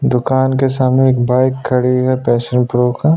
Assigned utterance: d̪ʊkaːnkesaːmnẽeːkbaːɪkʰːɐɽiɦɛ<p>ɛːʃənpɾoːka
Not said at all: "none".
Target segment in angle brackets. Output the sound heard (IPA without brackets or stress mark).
p